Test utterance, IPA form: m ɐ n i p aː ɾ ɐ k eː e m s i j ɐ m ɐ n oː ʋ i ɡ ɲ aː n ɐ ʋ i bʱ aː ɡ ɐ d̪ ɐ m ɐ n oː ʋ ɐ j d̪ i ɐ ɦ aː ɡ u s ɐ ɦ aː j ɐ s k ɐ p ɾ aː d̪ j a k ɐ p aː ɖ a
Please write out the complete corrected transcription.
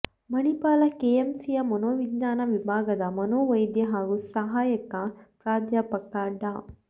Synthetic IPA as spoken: m ɐ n i p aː l ɐ k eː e m s i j ɐ m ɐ n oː ʋ i ɡ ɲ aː n ɐ ʋ i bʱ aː ɡ ɐ d̪ ɐ m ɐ n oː ʋ ɐ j d̪ j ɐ ɦ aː ɡ u s ɐ ɦ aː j ɐ k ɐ p ɾ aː d̪ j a p ɐ k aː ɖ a